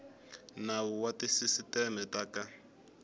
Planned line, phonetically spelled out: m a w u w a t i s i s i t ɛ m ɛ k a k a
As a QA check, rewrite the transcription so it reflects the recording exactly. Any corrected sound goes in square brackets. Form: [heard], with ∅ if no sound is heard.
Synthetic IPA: [n] a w u w a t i s i s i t ɛ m ɛ [t] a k a